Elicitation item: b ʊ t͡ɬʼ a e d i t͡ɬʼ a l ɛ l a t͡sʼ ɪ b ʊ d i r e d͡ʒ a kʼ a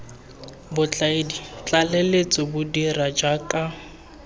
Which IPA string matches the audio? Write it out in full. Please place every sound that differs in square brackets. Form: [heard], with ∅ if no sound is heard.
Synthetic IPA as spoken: b ʊ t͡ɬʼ a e d i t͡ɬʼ a l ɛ l [e] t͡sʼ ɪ b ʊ d i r [a] d͡ʒ a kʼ a